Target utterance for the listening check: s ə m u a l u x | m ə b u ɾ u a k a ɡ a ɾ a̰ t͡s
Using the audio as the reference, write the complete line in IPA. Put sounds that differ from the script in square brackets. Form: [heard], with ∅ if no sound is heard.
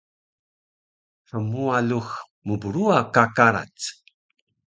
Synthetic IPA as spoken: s ə m u a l u x | m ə b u ɾ u a k a [k] a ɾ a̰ t͡s